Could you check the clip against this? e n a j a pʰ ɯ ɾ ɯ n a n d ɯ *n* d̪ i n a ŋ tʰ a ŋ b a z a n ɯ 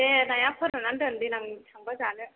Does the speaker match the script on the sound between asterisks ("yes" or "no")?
yes